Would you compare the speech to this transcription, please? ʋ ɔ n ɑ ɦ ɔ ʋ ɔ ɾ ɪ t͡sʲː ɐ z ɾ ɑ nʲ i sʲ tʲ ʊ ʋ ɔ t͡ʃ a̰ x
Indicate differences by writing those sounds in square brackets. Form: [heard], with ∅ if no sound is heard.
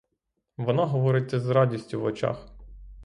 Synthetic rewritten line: ʋ ɔ n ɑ ɦ ɔ ʋ ɔ ɾ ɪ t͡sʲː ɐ z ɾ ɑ [dʲ] i sʲ tʲ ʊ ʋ ɔ t͡ʃ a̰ x

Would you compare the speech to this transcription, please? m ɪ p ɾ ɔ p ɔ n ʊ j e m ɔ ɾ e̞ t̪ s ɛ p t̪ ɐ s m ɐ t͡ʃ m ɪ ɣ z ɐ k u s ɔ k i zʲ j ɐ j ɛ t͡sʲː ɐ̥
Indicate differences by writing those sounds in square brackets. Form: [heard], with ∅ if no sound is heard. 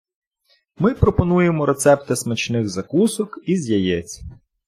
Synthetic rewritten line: m ɪ p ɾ ɔ p ɔ n [u] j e m ɔ ɾ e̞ t̪ s ɛ p t̪ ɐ s m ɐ t͡ʃ [n] ɪ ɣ z ɐ k u s ɔ k i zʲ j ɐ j ɛ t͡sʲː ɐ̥

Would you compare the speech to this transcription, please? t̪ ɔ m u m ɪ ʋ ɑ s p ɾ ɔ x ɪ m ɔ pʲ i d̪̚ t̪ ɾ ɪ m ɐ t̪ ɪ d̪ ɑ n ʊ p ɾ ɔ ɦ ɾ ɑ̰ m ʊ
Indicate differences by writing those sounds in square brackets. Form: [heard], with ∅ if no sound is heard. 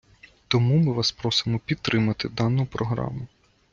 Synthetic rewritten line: t̪ ɔ m u m ɪ ʋ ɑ s p ɾ ɔ [s] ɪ m ɔ pʲ i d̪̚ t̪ ɾ ɪ m ɐ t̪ ɪ d̪ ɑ n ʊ p ɾ ɔ ɦ ɾ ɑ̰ m ʊ

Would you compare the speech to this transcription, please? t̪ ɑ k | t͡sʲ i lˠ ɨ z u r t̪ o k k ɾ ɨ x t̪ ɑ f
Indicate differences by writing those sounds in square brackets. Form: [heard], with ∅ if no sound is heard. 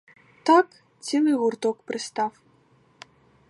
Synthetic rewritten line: t̪ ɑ k | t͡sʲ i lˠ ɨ [ɣ] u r t̪ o k [p] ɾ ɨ [s] t̪ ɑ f

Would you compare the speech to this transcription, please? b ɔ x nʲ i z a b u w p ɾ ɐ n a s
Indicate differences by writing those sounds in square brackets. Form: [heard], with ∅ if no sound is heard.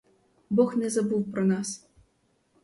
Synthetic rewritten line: b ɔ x nʲ [ɛ] z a b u w p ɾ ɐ n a s

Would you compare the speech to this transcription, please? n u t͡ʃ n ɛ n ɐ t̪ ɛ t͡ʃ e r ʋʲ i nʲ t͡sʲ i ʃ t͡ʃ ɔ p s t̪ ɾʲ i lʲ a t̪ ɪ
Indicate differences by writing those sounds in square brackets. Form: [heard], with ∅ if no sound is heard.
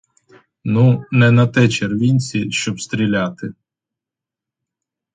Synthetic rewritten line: n u [∅] n ɛ n ɐ t̪ ɛ t͡ʃ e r ʋʲ i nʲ t͡sʲ i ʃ t͡ʃ ɔ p s t̪ ɾʲ i lʲ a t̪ ɪ

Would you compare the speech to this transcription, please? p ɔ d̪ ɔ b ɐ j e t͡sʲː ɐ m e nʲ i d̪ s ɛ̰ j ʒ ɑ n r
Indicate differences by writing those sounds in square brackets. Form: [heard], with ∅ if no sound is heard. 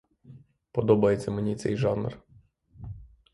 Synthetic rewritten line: p ɔ d̪ ɔ b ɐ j e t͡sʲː ɐ m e nʲ i [t̪] s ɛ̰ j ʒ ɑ n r

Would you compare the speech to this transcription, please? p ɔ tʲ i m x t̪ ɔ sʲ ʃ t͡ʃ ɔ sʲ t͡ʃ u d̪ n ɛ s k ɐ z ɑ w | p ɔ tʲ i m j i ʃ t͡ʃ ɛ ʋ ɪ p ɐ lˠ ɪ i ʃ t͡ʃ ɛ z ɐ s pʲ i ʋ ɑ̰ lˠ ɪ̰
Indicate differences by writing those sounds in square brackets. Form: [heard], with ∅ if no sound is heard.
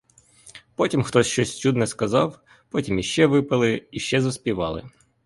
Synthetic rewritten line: p ɔ tʲ i m x t̪ ɔ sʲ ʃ t͡ʃ ɔ sʲ t͡ʃ u d̪ n ɛ s k ɐ z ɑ w | p ɔ tʲ i m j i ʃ t͡ʃ ɛ ʋ ɪ p ɐ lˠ ɪ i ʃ t͡ʃ ɛ z ɐ s pʲ i ʋ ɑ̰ lˠ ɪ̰

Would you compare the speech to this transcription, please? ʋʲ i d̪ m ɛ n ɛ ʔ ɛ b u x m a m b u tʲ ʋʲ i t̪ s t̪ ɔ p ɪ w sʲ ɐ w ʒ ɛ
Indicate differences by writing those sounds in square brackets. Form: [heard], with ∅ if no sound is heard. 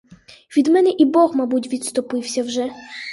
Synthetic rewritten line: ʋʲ i d̪ m ɛ n ɛ ʔ [i] b [ɔ] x m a [∅] b u tʲ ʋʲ i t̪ s t̪ ɔ p ɪ w sʲ ɐ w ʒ ɛ

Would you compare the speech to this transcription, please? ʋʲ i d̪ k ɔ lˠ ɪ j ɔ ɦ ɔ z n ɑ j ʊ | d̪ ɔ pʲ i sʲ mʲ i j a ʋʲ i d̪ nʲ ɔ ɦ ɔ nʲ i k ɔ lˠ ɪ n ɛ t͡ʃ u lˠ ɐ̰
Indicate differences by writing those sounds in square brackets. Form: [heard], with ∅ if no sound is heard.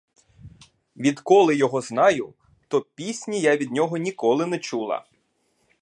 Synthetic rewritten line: ʋʲ i d̪ k ɔ lˠ ɪ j ɔ ɦ ɔ z n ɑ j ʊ | [t̪] ɔ pʲ i sʲ [nʲ] i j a ʋʲ i d̪ nʲ ɔ ɦ ɔ nʲ i k ɔ lˠ ɪ n ɛ t͡ʃ u lˠ ɐ̰

